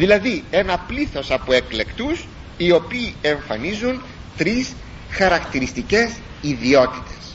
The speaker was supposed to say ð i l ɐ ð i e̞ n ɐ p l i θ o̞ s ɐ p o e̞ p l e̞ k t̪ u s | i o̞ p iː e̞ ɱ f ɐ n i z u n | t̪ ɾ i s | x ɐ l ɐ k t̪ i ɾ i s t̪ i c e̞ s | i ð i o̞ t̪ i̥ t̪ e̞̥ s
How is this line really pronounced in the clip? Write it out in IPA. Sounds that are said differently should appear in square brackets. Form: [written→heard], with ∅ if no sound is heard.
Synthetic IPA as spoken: ð i l ɐ ð i e̞ n ɐ p l i θ o̞ s ɐ p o e̞ [p→k] l e̞ k t̪ u s | i o̞ p iː e̞ ɱ f ɐ n i z u n | t̪ ɾ i s | x ɐ [l→ɾ] ɐ k t̪ i ɾ i s t̪ i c e̞ s | i ð i o̞ t̪ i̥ t̪ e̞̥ s